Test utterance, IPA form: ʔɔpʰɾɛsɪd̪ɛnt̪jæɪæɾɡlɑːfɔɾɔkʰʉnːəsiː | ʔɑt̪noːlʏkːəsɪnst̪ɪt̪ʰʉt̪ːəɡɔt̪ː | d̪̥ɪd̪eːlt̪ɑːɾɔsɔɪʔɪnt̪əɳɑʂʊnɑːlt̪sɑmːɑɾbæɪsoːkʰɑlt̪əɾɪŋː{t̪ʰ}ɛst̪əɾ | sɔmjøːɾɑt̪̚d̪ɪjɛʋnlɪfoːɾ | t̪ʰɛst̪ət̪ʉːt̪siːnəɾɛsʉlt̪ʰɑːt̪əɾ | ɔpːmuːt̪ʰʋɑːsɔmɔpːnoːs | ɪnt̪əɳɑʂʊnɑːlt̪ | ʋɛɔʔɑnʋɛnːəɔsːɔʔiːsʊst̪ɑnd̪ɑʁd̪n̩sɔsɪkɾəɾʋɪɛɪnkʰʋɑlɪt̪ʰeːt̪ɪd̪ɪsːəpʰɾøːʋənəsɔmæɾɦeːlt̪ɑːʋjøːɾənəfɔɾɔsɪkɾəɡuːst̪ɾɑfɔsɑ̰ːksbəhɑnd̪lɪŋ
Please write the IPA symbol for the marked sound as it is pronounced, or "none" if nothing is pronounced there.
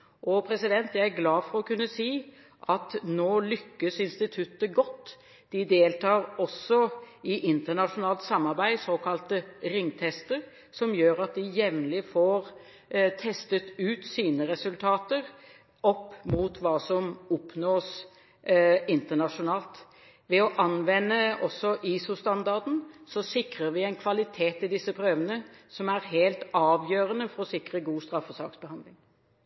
t̪ʰ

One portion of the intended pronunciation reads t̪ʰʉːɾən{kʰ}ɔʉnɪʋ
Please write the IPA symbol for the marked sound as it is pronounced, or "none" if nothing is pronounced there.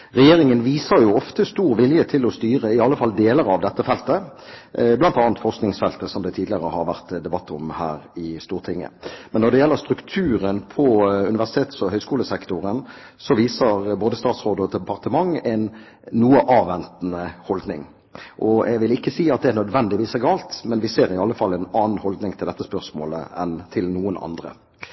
pʰ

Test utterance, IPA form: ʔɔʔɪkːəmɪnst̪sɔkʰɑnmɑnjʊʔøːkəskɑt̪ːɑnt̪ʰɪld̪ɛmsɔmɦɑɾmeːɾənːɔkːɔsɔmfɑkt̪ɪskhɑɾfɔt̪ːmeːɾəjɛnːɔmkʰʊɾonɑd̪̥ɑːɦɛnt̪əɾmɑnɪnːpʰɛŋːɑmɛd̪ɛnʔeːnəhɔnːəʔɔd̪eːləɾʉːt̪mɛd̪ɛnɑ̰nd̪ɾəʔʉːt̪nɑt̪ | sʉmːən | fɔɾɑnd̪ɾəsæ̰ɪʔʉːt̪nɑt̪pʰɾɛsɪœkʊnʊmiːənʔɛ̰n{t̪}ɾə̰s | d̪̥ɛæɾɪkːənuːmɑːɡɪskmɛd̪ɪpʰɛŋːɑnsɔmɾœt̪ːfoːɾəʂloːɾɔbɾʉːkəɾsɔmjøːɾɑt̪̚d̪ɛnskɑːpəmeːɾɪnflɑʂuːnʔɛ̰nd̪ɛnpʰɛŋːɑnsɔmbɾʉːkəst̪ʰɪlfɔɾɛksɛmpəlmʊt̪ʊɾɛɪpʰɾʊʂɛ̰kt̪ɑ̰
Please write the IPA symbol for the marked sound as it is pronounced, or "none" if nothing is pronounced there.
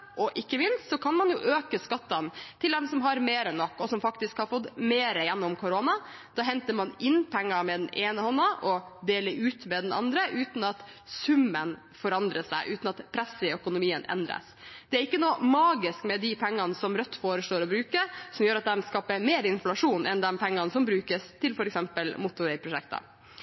d̪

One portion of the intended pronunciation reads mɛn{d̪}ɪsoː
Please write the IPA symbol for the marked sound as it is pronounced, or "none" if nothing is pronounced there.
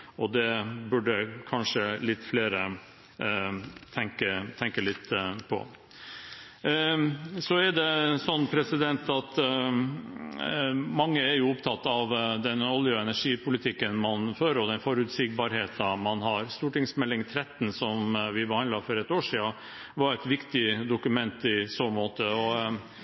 t̪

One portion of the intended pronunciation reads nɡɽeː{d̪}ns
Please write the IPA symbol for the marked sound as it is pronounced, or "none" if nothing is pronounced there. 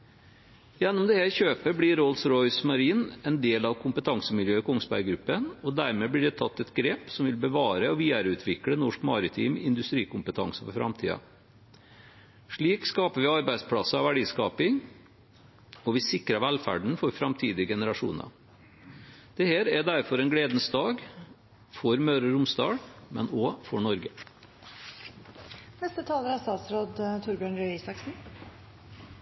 d̪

